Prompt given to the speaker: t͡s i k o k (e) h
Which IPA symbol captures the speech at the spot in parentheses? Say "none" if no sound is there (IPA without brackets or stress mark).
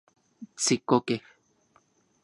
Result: e